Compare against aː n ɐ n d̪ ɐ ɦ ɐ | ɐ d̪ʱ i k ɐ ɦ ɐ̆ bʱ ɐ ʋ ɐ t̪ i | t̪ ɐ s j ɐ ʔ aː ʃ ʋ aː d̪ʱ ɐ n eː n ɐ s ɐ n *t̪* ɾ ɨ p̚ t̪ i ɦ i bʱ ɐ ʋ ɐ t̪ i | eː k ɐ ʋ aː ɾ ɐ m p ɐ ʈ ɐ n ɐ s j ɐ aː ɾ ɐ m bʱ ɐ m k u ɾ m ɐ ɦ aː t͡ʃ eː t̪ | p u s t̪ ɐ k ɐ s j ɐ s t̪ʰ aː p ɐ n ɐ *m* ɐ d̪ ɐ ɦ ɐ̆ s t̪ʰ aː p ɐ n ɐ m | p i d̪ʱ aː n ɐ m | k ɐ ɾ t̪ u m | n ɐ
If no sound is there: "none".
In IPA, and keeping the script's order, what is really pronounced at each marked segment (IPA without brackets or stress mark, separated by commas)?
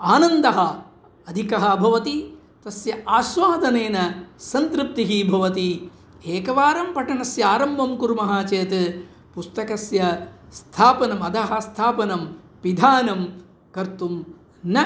t̪, m